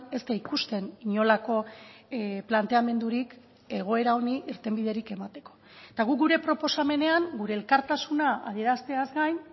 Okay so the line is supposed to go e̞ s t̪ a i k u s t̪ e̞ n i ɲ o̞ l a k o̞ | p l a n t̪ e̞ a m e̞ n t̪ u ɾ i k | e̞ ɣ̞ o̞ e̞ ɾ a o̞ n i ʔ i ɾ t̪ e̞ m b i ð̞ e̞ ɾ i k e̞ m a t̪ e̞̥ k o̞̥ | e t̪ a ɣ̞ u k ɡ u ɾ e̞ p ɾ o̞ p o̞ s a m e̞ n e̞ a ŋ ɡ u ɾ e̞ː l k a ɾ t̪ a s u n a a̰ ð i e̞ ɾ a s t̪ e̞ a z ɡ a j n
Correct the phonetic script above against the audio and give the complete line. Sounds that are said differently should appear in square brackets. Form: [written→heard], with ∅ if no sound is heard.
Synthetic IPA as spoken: e̞ s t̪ a i k u s t̪ e̞ n i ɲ o̞ l a k o̞ | p l a n t̪ e̞ a m e̞ n [t̪→d̪] u ɾ i k | e̞ ɣ̞ o̞ e̞ ɾ a o̞ n i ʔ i ɾ t̪ e̞ m b i ð̞ e̞ ɾ i k e̞ m a t̪ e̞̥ k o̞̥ | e t̪ a ɣ̞ u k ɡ u ɾ e̞ p ɾ o̞ p o̞ s a m e̞ n e̞ a ŋ ɡ u ɾ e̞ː l k a ɾ t̪ a s u n a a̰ ð i e̞ ɾ a s t̪ e̞ a z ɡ a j n

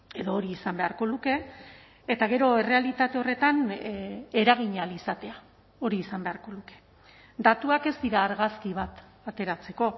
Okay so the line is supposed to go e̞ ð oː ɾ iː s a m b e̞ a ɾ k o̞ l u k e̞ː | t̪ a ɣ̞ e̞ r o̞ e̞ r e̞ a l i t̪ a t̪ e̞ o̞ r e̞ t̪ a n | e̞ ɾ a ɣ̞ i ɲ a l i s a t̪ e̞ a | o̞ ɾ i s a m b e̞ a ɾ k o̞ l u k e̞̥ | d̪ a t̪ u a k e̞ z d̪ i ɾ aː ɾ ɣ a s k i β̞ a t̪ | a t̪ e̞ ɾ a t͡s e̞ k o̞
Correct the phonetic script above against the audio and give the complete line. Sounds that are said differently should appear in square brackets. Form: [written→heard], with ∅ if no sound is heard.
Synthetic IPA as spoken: e̞ ð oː ɾ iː s a m b e̞ a ɾ k o̞ l u k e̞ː | t̪ a ɣ̞ e̞ [r→ɾ] o̞ e̞ r e̞ a l i t̪ a t̪ e̞ o̞ r e̞ t̪ a n | e̞ ɾ a ɣ̞ i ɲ a l i s a t̪ e̞ a | o̞ ɾ [i→iː] s a m b e̞ a ɾ k o̞ l u k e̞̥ | d̪ a t̪ u a k e̞ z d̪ i ɾ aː ɾ ɣ a s k i β̞ a t̪ | a t̪ e̞ ɾ a t͡s e̞ k o̞

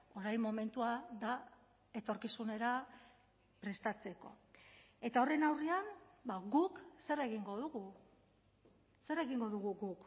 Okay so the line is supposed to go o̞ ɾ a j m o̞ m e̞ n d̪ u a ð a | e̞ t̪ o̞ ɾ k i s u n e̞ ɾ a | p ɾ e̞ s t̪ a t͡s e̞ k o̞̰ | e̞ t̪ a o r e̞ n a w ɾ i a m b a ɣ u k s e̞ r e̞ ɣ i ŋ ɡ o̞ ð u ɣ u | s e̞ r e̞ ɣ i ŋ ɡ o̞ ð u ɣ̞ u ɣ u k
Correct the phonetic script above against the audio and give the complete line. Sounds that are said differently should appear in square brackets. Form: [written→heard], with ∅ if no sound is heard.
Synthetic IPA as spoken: o̞ ɾ a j m o̞ m e̞ n [d̪→t̪] u a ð a | e̞ t̪ o̞ ɾ k i s u n e̞ ɾ a | p ɾ e̞ s t̪ a t͡s e̞ k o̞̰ | e̞ t̪ a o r e̞ n a w [ɾ→r] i a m b a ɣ u k s e̞ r e̞ ɣ i ŋ ɡ o̞ ð u ɣ u | s e̞ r e̞ ɣ i ŋ ɡ o̞ ð u ɣ̞ u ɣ u k

